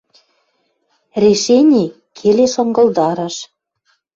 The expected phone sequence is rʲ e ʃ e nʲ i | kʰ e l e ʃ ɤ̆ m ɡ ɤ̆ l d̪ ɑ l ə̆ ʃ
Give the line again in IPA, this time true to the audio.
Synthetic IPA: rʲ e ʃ e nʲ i | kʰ e l e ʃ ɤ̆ ŋ ɡ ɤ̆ l d̪ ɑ ɾ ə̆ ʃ